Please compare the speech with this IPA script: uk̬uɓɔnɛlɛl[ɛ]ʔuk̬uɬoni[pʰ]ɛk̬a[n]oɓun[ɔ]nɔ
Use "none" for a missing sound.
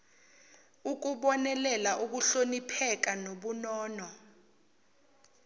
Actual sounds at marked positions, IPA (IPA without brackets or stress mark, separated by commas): a, pʰ, n, ɔː